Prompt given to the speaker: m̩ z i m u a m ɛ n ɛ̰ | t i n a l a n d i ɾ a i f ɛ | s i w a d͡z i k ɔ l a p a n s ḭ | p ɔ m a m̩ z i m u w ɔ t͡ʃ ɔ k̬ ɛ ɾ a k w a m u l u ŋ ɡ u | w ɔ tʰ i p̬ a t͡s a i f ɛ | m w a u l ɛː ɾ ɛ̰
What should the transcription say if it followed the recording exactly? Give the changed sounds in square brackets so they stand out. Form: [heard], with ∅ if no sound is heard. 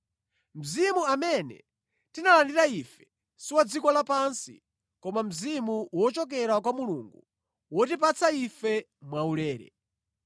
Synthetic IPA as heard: m̩ z i m u a m ɛ n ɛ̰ | t i n a l a n d i ɾ a i f ɛ | s i w a d͡z i k ɔ l a p a n s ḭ | [k] ɔ m a m̩ z i m u w ɔ t͡ʃ ɔ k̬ ɛ ɾ a k w a m u l u ŋ ɡ u | w ɔ [t] i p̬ a t͡s a i f ɛ | m w a u l ɛː ɾ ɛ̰

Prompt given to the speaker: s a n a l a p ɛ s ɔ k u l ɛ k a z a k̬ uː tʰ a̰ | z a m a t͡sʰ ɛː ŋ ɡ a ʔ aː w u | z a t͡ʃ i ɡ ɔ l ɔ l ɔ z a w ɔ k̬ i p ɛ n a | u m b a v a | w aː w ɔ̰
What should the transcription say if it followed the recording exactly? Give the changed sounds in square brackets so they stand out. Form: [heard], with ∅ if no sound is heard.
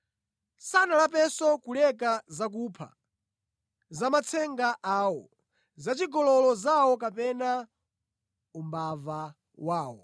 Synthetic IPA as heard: s a n a l a p ɛ s ɔ k u l ɛ k a z a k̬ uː [pʰ] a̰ | z a m a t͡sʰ [ɛ] ŋ ɡ a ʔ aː w [ɔ] | z a t͡ʃ i ɡ ɔ l ɔ l ɔ z a w ɔ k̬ [a] p ɛ n a | u m b a v a | w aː w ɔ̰

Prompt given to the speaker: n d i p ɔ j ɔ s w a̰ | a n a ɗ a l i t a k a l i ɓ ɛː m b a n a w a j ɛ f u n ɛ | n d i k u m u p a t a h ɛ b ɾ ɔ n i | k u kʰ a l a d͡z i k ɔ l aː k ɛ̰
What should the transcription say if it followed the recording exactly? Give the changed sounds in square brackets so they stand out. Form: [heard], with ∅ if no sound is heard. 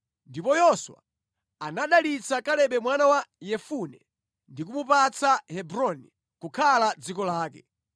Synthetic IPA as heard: n d i p ɔ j ɔ s w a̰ | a n a ɗ a l i [t͡s] a k a l [ɛ] ɓ [ɛ] m [w] a n a w a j ɛ f u n ɛ | n d i k u m u p a [t͡s] a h ɛ b ɾ ɔ n i | k u kʰ a l a d͡z i k ɔ l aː k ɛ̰

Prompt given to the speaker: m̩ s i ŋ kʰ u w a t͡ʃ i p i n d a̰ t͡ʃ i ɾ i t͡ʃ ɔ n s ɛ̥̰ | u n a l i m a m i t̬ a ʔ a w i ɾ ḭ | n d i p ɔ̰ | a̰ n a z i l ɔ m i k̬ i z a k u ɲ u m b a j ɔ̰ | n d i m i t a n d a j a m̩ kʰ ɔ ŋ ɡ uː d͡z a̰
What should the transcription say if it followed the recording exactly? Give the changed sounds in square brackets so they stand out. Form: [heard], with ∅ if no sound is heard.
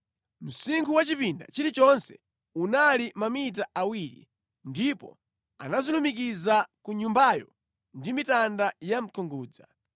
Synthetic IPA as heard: m̩ s i ŋ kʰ u w a t͡ʃ i p i n d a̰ t͡ʃ i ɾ i t͡ʃ ɔ n s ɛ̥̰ | u n a l i m a m i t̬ a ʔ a w i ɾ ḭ | n d i p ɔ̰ | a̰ n a z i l [u] m i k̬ i z a k u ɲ u m b a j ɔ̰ | n d i m i t a n d a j a m̩ kʰ ɔ ŋ ɡ uː d͡z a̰

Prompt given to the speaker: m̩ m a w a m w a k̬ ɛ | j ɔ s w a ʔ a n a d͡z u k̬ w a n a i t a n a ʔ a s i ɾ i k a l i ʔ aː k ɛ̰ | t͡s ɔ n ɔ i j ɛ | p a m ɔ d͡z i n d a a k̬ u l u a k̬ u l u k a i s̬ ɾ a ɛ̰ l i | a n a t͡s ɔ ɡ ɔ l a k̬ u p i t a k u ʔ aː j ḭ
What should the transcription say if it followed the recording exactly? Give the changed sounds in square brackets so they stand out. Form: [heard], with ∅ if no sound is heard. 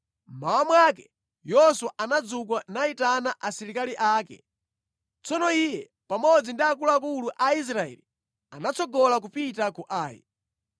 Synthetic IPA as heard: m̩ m a w a m w a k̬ ɛ | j ɔ s w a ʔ a n a d͡z u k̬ w a n a i t a n a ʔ a s i ɾ i k a l i ʔ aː k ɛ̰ | t͡s ɔ n ɔ i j ɛ | p a m ɔ d͡z i n d [i] a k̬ u l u a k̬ u l u [ʔ] a i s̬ ɾ a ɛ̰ l i | a n a t͡s ɔ ɡ ɔ l a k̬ u p i t a k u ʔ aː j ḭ

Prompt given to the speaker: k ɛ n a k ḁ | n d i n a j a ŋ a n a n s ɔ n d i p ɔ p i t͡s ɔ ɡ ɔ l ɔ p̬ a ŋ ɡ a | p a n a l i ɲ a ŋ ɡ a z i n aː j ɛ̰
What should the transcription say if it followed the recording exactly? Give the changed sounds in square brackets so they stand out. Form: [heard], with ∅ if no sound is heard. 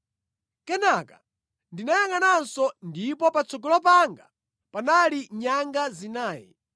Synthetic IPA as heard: k ɛ n a k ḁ | n d i n a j a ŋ a n a n s ɔ n d i p ɔ p [a] t͡s ɔ ɡ ɔ l ɔ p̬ a ŋ ɡ a | p a n a l i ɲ a ŋ ɡ a z i n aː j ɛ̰

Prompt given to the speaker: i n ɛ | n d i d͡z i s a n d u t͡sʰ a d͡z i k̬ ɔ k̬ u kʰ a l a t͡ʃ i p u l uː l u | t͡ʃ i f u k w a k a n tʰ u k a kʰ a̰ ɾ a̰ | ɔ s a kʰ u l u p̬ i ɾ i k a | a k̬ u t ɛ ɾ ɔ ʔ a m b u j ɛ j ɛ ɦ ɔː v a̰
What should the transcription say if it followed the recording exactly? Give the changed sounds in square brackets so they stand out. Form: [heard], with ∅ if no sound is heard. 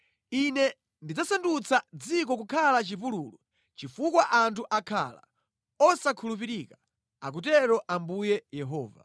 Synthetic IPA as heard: i n ɛ | n d i d͡z [a] s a n d u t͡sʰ a d͡z i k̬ ɔ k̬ u kʰ a l a t͡ʃ i p u l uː l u | t͡ʃ i f u k w a [ʔ] a n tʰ u [ʔ] a kʰ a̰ [l] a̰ | ɔ s a kʰ u l u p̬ i ɾ i k a | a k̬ u t ɛ ɾ ɔ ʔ a m b u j ɛ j ɛ ɦ ɔː v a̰

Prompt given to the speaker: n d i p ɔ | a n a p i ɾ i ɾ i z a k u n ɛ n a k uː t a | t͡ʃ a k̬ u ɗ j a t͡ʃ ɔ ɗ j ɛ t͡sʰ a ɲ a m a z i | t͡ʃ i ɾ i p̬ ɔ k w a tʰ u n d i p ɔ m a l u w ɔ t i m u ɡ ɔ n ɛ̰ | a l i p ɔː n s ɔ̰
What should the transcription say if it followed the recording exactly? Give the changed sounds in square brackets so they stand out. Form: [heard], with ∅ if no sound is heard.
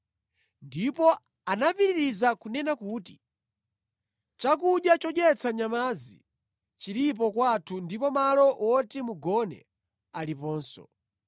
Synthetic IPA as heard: n d i p ɔ | a n a p i ɾ i ɾ i z a k u n ɛ n a k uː t [i] | t͡ʃ a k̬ u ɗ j a t͡ʃ ɔ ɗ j ɛ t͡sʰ a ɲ a m a z i | t͡ʃ i ɾ i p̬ ɔ k w a tʰ u n d i p ɔ m a l [ɔ] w ɔ t i m u ɡ ɔ n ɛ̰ | a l i p ɔː n s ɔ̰

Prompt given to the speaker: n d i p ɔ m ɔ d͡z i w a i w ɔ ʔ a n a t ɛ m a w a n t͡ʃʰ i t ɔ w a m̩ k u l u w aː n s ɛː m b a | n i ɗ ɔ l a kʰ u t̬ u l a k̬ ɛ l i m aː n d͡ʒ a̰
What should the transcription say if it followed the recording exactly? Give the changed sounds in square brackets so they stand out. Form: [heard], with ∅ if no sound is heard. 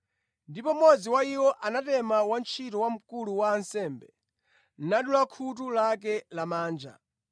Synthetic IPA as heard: n d i p ɔ m ɔ d͡z i w a i w ɔ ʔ a n a t ɛ m a w a n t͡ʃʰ i t ɔ w a m̩ k u l u w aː n s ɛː m b [ɛ] | n [a] ɗ [u] l a kʰ u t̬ u l a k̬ ɛ l [a] m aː n d͡ʒ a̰

